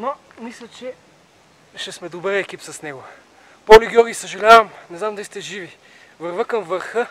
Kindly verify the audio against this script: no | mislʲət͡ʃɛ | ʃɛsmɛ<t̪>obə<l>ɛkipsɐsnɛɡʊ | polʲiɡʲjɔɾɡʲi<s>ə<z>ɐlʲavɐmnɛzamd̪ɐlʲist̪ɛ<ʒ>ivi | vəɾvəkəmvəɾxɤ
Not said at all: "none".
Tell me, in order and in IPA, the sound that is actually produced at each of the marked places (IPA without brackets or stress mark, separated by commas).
d̪, ɾ, s, ʒ, ʒ